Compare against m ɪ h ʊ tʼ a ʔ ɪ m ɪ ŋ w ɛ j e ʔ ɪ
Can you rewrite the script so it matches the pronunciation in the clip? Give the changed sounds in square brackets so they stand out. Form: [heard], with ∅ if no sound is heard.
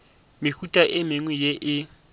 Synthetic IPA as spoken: m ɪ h [u] tʼ a ʔ ɪ m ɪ ŋ w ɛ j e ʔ ɪ